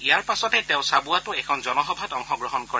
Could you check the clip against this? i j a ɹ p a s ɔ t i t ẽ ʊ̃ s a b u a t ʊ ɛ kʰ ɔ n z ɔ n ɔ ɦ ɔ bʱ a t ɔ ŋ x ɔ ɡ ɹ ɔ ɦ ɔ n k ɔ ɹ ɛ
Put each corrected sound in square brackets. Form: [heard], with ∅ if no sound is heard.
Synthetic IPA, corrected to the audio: i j a ɹ p a s ɔ t [ɛ] t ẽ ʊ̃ s a b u a t ʊ ɛ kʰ ɔ n z ɔ n ɔ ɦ ɔ bʱ a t ɔ ŋ x ɔ ɡ ɹ ɔ ɦ ɔ n k ɔ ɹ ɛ